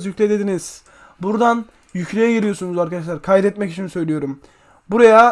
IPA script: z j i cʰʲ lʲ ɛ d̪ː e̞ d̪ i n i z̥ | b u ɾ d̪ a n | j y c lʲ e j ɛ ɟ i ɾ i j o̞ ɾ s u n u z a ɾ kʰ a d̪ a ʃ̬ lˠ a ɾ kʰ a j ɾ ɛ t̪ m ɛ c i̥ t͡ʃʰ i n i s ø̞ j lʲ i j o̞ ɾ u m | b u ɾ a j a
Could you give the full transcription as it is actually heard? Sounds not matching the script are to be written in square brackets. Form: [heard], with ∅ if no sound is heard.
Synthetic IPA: z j [y] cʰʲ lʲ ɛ [d̪] e̞ d̪ i n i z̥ | b u ɾ d̪ a n | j y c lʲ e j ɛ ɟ i ɾ i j o̞ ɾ s u n u z a ɾ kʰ a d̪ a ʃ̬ lˠ a ɾ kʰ a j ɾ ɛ t̪ m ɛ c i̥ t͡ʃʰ i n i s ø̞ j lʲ i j o̞ ɾ u m | b u ɾ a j a